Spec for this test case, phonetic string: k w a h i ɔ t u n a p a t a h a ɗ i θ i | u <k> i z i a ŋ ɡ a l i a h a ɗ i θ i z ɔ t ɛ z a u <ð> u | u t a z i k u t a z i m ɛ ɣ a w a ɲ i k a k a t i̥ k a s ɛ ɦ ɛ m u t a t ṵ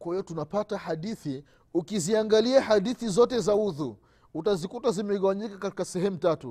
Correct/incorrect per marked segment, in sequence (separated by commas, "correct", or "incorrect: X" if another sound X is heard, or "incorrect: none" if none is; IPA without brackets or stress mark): correct, correct